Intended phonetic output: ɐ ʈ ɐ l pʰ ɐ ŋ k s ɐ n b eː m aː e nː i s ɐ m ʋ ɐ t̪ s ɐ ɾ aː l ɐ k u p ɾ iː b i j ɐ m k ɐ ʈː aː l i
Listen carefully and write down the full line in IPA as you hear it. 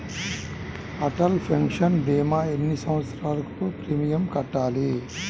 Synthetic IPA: ɐ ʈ ɐ l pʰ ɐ ŋ k ʂ ɐ n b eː m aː e nː i s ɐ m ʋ ɐ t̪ s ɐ ɾ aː l ɐ k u p ɾ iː m i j ɐ m k ɐ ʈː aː l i